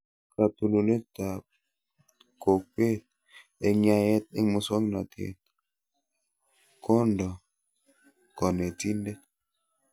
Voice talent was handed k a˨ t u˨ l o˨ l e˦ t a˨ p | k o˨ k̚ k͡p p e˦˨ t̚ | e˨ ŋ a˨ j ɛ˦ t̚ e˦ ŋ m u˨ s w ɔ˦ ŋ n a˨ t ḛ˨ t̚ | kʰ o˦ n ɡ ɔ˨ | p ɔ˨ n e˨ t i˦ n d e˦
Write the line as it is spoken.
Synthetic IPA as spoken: k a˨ t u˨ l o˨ l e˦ t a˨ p | k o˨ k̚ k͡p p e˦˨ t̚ | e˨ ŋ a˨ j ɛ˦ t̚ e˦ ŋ m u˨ s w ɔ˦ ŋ n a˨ t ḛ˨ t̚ | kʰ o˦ n d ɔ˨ | k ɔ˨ n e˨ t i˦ n d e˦